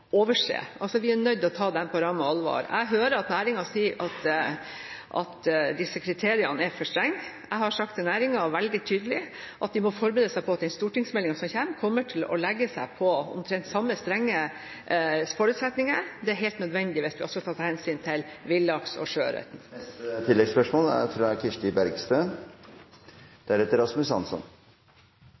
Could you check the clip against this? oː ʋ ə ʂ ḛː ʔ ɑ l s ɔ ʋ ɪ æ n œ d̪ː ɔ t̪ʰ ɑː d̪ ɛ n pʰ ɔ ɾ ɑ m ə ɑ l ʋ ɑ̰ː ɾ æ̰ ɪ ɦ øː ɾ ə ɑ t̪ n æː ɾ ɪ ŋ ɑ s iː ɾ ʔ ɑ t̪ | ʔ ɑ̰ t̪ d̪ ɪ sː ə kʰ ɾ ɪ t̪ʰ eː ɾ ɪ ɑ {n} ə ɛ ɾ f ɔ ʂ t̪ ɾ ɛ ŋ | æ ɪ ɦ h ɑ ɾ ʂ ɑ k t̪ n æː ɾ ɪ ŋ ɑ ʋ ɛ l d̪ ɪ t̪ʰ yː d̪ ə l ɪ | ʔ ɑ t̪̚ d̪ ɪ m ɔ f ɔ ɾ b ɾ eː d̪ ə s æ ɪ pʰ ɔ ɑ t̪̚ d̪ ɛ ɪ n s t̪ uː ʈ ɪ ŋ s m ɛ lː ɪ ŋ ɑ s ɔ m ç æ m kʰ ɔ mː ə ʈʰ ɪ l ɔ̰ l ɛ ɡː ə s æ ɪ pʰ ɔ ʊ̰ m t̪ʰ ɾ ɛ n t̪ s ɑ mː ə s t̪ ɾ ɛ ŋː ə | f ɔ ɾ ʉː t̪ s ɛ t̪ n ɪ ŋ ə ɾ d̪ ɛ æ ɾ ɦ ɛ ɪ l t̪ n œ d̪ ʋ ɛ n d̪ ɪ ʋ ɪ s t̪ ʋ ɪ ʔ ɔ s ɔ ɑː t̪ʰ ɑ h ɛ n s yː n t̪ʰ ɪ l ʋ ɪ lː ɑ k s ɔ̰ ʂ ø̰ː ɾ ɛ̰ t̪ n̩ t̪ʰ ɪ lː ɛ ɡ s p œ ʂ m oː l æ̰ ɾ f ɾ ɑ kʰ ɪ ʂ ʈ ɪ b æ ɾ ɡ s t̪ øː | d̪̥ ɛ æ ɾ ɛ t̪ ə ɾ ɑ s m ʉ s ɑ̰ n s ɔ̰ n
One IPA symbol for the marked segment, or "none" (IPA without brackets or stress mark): n